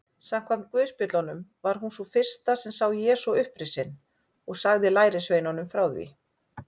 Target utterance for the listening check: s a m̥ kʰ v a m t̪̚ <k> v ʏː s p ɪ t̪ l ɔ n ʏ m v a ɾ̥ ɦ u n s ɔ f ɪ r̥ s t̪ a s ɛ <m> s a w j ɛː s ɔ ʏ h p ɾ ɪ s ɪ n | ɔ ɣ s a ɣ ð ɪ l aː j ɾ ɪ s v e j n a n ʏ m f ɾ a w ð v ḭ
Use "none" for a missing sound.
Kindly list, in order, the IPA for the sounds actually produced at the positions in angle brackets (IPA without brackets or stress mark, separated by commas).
k, m